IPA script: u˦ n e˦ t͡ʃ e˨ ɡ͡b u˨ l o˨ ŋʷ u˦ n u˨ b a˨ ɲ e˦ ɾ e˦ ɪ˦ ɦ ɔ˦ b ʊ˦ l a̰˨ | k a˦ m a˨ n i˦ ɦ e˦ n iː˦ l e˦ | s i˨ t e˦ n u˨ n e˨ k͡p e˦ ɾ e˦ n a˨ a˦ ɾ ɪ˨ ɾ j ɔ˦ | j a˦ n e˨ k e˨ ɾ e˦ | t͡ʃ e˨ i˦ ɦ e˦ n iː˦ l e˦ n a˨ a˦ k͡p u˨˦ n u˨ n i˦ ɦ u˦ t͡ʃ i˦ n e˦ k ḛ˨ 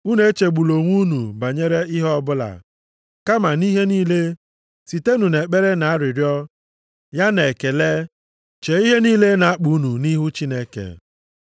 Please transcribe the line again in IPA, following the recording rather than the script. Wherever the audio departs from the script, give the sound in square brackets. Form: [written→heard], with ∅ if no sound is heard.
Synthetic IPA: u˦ n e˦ t͡ʃ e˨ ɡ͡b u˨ l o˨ ŋʷ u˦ n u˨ b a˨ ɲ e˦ ɾ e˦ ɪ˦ ɦ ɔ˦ b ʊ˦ l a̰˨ | k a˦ m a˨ n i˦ ɦ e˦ n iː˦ l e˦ | s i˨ t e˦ n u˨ n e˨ k͡p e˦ ɾ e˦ n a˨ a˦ ɾ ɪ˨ ɾ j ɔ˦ | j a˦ n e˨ k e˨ [ɾ→l] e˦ | t͡ʃ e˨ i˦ ɦ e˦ n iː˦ l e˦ n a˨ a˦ k͡p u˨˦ n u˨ n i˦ ɦ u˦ t͡ʃ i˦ n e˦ k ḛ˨